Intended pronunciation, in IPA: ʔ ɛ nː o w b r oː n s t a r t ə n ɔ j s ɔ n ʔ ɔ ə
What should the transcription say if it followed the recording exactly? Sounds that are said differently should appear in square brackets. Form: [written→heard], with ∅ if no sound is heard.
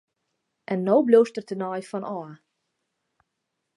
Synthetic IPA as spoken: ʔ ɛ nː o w b [r→l] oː [n→∅] s t [a→ə] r t ə n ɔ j [s→f] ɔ n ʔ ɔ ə